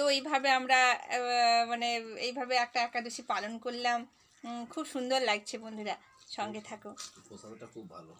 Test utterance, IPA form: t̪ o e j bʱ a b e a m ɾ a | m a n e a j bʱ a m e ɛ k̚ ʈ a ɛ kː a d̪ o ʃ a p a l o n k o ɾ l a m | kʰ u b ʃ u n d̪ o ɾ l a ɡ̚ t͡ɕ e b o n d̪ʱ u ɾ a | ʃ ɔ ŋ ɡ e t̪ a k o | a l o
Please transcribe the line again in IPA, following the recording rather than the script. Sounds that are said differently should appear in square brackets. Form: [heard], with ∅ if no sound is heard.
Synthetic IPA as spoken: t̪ o e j bʱ a b e a m ɾ a | m a n e [e] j bʱ a [b] e ɛ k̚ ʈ a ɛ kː a d̪ o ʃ [i] p a l o n k o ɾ l a m | kʰ u b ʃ u n d̪ o ɾ l a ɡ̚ [t͡ɕʰ] e b o n d̪ʱ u ɾ a | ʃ ɔ ŋ ɡ e [t̪ʰ] a k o | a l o